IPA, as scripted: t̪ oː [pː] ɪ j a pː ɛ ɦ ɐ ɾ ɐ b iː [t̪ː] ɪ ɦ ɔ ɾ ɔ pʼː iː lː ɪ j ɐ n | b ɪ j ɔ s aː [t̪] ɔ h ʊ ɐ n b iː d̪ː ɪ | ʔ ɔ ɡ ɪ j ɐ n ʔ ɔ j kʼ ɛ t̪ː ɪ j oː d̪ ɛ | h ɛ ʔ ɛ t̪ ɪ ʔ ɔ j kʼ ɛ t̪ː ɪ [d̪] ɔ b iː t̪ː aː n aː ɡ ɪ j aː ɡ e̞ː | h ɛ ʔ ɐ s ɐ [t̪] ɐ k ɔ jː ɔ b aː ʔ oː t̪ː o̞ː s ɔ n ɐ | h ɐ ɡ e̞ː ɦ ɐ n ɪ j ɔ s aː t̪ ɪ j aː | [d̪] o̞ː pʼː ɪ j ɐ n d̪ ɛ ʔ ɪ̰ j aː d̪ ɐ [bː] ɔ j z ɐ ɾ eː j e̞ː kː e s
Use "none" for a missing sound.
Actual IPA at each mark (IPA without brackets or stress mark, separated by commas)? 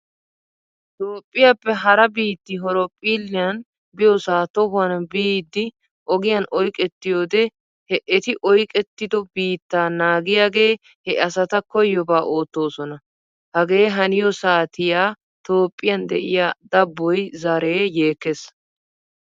pʼː, t̪ː, t̪, d̪, t̪, t̪, bː